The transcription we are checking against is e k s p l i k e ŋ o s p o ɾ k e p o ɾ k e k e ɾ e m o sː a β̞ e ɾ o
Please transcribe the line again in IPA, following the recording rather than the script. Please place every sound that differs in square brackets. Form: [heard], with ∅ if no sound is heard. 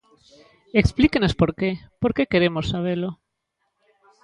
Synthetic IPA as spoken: e k s p l i k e [n] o s p o ɾ k e p o ɾ k e k e ɾ e m o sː a β̞ e [l] o